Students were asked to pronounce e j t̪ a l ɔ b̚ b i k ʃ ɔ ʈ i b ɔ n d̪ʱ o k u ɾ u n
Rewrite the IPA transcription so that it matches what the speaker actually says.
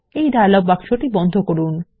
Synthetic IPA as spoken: e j d̪ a l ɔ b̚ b a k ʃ o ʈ i b ɔ n d̪ʱ o k o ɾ u n

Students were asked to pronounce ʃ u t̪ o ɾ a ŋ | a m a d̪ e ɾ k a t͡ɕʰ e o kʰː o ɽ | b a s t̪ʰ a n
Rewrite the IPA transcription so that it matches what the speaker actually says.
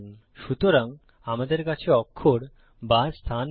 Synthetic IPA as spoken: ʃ u t̪ o ɾ a ŋ | a m a d̪ e ɾ k a t͡ɕʰ e ɔ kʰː o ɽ | b a s t̪ʰ a n

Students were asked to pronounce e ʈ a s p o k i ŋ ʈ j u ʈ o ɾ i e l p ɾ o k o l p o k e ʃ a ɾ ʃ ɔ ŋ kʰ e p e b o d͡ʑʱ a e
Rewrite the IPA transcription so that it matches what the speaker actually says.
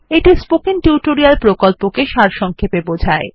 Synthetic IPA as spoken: e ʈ i s p o k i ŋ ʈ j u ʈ o ɾ i a l p ɾ o k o l p o k e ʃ a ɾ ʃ ɔ ŋ kʰ e p e b o d͡ʑʱ a e

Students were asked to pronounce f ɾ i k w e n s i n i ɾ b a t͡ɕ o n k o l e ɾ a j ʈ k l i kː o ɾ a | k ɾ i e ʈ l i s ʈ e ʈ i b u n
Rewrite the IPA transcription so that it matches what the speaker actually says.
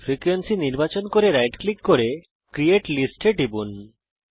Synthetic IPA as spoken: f ɾ i k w e n s i n i ɾ b a t͡ɕ o n k o ɾ e ɾ a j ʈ k l i kː o ɾ e | k ɾ i e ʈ l i s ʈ e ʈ i b u n

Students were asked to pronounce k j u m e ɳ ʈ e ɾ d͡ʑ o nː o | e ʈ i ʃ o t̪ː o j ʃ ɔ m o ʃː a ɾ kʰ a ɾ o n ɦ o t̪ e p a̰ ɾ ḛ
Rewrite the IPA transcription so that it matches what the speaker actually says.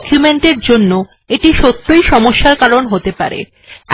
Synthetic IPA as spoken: k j u m e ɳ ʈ e ɾ d͡ʑ o nː o | e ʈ i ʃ o t̪ː o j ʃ ɔ m o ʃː a ɾ k a ɾ o n ɦ o t̪ e p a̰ ɾ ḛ

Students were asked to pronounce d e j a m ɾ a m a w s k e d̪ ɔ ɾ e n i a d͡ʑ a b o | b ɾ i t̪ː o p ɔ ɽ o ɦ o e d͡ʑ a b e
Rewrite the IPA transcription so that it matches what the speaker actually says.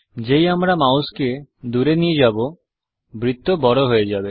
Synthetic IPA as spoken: d͡ʑ e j a m ɾ a m a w s k e d̪ u ɾ e n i e d͡ʑ a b o | b ɾ i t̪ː o b ɔ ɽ o ɦ o e d͡ʑ a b e

